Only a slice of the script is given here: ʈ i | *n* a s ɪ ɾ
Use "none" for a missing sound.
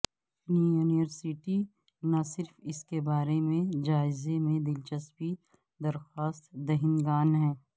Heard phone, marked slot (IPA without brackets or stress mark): n